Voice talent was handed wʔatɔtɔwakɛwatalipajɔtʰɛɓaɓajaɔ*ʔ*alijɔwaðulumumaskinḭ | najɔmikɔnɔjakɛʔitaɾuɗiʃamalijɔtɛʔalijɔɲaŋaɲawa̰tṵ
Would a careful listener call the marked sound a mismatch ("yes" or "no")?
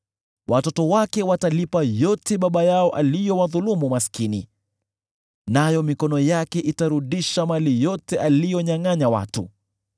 no